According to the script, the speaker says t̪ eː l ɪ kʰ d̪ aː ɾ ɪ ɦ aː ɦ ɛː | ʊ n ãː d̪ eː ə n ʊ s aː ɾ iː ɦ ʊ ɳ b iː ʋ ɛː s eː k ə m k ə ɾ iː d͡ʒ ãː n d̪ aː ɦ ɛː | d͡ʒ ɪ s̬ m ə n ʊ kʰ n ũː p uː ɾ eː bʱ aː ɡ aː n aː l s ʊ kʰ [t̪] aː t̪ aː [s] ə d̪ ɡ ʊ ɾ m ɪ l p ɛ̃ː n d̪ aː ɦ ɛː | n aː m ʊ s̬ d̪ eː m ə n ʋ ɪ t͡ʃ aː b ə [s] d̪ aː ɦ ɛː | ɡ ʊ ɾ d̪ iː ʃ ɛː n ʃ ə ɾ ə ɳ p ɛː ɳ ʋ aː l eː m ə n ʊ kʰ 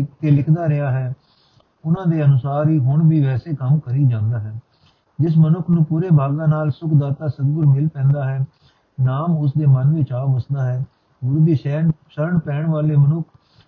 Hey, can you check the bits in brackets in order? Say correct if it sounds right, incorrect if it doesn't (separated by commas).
incorrect, correct, correct